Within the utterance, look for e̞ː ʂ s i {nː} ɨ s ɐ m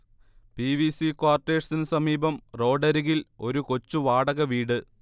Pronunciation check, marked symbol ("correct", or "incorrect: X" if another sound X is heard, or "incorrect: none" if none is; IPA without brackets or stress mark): incorrect: n